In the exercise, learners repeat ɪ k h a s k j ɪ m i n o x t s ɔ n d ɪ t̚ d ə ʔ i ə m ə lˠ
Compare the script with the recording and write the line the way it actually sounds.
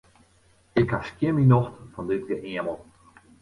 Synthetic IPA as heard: ɪ k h a s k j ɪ m i n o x t f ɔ n d ɪ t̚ ɡ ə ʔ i ə m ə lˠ

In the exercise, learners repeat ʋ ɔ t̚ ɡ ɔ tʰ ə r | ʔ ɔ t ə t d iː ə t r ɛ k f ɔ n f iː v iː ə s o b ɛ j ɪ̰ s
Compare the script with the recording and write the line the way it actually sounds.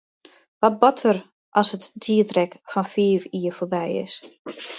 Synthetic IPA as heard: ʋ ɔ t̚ b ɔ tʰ ə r | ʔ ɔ s ə t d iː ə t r ɛ k f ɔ n f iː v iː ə f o b ɛ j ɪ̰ s

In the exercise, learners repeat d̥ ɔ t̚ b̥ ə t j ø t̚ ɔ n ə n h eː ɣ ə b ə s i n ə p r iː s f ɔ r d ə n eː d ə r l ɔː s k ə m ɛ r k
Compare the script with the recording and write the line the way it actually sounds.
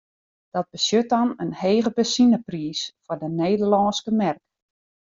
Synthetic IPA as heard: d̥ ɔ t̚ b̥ ə s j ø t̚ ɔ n ə n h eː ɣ ə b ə s i n ə p r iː s f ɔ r d ə n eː d ə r l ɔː s k ə m ɛ r k

